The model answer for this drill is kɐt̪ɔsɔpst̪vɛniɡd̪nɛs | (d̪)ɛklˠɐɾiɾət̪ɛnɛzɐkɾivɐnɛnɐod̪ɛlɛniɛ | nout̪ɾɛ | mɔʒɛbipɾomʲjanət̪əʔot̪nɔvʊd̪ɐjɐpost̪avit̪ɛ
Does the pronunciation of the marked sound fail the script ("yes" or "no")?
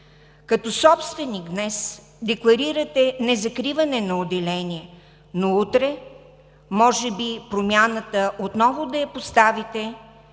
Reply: no